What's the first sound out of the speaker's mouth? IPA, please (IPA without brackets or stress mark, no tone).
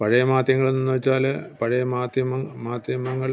p